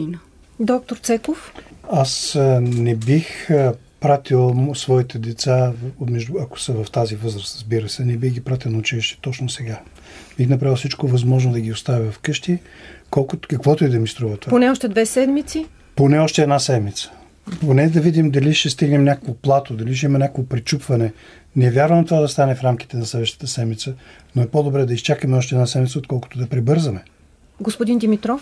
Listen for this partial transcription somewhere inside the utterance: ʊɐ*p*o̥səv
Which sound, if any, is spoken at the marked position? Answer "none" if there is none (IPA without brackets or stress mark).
k